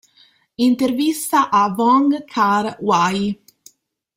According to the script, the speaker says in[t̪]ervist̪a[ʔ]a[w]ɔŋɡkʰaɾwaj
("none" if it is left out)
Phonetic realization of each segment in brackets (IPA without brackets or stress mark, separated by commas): t̪, ʔ, v